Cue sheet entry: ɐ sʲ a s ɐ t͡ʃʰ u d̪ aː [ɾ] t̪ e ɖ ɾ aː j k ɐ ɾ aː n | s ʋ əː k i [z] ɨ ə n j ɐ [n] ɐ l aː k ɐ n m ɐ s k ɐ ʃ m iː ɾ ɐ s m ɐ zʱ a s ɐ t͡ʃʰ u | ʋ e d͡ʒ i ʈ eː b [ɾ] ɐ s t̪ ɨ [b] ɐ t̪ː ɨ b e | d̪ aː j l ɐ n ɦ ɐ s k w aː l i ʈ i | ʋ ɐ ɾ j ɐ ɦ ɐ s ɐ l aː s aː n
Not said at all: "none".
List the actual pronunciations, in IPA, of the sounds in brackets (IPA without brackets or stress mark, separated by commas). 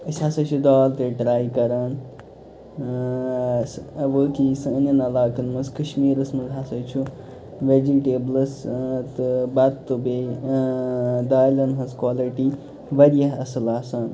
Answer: l, s, n, l, b